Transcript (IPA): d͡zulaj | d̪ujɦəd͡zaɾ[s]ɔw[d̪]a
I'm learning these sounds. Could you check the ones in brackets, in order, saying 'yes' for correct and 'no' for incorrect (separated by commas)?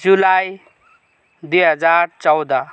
no, yes